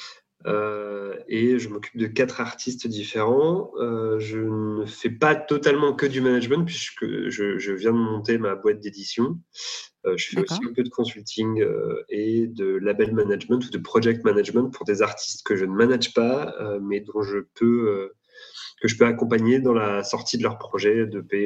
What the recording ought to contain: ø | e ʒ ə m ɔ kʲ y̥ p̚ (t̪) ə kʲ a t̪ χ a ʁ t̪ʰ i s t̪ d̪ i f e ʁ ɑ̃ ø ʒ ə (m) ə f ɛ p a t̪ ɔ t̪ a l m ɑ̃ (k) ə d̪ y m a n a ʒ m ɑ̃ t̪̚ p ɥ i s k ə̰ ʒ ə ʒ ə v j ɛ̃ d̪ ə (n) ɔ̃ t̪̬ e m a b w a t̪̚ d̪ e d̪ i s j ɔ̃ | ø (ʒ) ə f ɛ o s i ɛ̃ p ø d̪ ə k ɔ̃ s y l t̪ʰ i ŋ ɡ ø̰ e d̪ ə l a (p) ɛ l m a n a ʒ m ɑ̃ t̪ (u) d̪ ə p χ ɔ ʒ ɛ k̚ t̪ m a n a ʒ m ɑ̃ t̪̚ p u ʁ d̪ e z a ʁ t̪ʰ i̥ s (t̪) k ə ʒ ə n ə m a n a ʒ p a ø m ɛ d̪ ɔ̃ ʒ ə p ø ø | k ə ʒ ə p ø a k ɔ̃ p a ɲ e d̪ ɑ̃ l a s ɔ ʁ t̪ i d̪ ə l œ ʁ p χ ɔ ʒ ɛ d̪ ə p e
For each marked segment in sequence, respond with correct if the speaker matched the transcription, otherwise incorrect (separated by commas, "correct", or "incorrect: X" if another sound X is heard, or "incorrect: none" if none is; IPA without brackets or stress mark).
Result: incorrect: d̪, incorrect: n, correct, incorrect: m, correct, incorrect: b, correct, correct